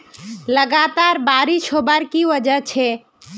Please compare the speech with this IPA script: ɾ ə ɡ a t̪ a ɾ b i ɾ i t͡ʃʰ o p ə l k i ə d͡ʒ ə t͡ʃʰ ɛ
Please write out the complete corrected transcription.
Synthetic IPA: l ə ɡ a t̪ a ɾ b a ɾ i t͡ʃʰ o b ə ɾ k i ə d͡ʒ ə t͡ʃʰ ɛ